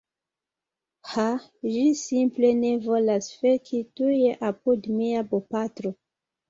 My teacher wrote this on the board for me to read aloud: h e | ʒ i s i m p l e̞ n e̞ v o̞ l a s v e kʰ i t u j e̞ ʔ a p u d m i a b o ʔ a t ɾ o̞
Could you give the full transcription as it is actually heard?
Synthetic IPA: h a | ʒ i s i m p l e̞ n e̞ v o̞ l a s f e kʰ i t u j e̞ ʔ a p u d m i a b o p a t ɾ o̞